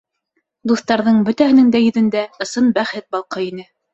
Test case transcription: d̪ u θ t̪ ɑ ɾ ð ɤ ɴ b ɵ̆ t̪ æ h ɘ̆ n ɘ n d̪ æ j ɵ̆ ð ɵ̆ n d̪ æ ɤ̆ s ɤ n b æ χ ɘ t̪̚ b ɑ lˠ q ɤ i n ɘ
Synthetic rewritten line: d̪ u θ t̪ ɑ ɾ ð ɤ ɴ b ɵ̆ t̪ æ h ɘ̆ n ɘ ŋ d̪ æ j ɵ̆ ð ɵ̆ n d̪ æ ɤ̆ s ɤ n b æ χ ɘ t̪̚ b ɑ lˠ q ɤ i n ɘ